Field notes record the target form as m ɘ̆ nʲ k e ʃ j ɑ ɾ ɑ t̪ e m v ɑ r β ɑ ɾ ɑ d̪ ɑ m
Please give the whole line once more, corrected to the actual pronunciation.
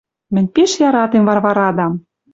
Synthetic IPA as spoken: m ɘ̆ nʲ p e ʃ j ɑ ɾ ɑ t̪ e m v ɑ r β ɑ ɾ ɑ d̪ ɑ m

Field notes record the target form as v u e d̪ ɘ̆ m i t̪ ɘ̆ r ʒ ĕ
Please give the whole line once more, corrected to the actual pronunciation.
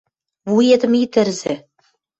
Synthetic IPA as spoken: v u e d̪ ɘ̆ m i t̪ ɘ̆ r z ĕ

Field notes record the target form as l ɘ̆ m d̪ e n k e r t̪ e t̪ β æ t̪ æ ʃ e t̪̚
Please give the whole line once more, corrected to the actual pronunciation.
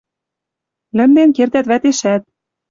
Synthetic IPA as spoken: l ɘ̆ m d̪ e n k e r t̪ æ t̪ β æ t̪ e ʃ æ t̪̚

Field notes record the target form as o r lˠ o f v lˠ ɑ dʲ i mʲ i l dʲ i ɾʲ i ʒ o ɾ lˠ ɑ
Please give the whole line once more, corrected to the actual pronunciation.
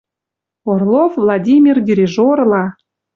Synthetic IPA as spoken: o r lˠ o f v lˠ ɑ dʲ i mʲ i r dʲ i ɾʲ i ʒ o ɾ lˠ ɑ

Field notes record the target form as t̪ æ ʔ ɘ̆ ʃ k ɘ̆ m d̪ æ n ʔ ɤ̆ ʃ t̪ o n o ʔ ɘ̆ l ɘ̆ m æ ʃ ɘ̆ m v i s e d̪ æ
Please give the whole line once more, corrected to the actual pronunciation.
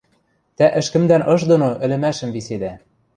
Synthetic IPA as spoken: t̪ æ ʔ ɘ̆ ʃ k ɘ̆ m d̪ æ n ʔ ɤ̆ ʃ d̪ o n o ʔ ɘ̆ l ɘ̆ m æ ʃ ɘ̆ m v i s e d̪ æ

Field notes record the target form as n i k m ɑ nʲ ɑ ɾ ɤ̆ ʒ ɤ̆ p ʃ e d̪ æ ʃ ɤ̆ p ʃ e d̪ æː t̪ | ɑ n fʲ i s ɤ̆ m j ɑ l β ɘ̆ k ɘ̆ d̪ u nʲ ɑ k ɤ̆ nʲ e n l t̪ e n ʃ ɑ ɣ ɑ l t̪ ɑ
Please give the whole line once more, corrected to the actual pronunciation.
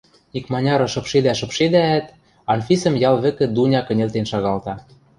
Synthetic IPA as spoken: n i k m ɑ nʲ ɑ ɾ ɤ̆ ʃ ɤ̆ p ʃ e d̪ æ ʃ ɤ̆ p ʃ e d̪ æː t̪ | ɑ n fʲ i s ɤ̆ m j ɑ l β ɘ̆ k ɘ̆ d̪ u nʲ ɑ k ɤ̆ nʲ e l t̪ e n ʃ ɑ ɣ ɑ l t̪ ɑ

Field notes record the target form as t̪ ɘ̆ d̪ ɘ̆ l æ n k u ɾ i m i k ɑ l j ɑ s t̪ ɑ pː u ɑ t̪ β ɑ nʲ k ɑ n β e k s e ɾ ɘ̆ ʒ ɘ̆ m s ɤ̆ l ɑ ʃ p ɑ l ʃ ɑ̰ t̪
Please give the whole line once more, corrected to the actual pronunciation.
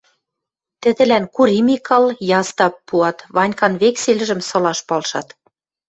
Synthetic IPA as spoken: t̪ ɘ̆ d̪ ɘ̆ l æ n k u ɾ i m i k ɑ l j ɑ s t̪ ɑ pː u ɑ t̪ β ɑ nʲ k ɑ n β e k s e l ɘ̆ ʒ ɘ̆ m s ɤ̆ l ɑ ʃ p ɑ l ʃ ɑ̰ t̪

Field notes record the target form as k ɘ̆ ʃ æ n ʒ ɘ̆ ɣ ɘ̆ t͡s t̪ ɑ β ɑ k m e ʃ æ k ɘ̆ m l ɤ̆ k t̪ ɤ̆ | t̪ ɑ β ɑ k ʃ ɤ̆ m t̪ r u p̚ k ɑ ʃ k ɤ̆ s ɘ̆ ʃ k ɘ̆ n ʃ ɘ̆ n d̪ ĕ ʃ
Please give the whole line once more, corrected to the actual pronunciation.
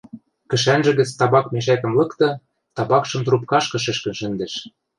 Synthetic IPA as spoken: k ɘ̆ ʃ æ n ʒ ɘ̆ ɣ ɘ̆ t͡s t̪ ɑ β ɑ k m e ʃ æ k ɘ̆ m l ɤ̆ k t̪ ɤ̆ | t̪ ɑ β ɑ k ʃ ɤ̆ m t̪ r u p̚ k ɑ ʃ k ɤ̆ ʃ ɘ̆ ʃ k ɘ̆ n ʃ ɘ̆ n d̪ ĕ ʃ

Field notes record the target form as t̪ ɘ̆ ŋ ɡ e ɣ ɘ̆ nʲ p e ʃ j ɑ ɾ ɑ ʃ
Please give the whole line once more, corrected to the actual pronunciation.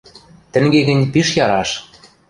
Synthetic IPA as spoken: t̪ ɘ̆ ŋ ɡ e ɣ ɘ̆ nʲ p i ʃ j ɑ ɾ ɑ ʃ

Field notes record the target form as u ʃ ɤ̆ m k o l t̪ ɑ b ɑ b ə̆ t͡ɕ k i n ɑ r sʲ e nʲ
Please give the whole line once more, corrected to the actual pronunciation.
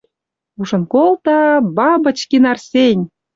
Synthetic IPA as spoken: u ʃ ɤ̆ n k o l t̪ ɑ b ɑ b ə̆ t͡ɕ k i n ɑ r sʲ e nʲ

